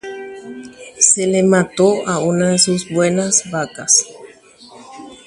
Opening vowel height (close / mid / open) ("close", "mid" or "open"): mid